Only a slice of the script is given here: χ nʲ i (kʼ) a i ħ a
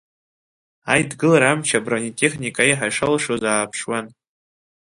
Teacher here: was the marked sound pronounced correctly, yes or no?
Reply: yes